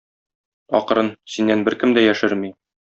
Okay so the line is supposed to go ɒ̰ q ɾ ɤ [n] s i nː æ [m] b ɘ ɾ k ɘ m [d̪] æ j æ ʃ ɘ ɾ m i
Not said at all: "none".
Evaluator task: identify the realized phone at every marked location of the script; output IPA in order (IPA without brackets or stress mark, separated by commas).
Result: n, n, d̪